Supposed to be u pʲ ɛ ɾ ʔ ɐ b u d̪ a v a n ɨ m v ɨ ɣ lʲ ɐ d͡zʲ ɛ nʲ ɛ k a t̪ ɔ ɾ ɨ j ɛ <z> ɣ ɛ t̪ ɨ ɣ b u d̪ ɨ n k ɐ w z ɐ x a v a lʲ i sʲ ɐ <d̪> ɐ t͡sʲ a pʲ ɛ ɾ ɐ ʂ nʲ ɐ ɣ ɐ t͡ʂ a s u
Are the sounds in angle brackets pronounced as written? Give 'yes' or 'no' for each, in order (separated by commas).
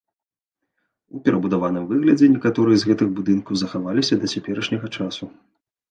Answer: yes, yes